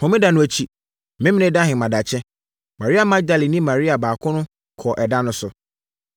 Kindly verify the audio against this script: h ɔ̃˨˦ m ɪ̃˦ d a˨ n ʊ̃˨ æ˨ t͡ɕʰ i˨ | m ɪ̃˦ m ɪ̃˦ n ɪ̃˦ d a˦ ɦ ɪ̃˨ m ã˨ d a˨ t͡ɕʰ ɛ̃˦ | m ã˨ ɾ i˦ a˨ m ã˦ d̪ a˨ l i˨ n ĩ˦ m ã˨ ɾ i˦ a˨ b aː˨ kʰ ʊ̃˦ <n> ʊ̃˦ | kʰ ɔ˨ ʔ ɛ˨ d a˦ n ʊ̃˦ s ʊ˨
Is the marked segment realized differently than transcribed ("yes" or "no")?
no